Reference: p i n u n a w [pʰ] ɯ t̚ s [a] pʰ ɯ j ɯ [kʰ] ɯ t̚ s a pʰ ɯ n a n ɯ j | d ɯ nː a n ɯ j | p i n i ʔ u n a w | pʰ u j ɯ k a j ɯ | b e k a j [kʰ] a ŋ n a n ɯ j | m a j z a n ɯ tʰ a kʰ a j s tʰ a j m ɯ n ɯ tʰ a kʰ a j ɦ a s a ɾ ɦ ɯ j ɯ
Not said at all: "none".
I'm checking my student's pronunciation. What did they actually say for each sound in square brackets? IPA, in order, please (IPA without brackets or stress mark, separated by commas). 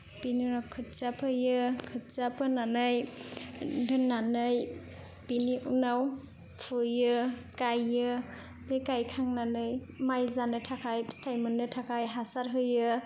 kʰ, a, kʰ, kʰ